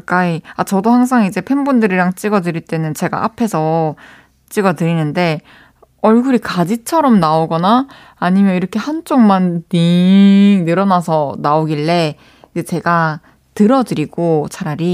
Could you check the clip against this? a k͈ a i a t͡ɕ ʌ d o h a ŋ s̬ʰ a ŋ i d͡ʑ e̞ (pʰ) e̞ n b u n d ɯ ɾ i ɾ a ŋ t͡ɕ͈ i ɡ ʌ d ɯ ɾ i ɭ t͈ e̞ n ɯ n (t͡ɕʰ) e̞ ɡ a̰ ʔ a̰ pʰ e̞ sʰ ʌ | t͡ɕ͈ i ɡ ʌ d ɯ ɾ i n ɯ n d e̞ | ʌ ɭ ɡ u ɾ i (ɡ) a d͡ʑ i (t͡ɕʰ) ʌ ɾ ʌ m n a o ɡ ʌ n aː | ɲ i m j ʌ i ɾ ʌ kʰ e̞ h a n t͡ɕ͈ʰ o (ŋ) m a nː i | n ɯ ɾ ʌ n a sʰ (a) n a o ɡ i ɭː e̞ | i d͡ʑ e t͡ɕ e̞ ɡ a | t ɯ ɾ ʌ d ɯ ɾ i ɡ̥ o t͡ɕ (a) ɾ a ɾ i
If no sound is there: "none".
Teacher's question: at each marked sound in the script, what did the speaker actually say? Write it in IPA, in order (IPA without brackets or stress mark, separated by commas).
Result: pʰ, t͡ɕ, k, t͡ɕʰ, ŋ, ʌ, a